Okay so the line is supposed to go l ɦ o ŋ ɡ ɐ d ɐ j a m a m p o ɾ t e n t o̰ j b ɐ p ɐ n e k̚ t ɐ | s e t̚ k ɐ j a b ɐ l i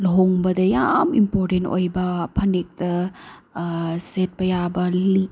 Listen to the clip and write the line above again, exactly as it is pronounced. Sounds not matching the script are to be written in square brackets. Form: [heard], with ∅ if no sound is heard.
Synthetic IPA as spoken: l ɦ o ŋ [b] ɐ d ɐ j a m [i] m p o ɾ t e n t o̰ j b ɐ [pʰ] ɐ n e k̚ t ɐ | s e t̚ [p] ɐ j a b ɐ l i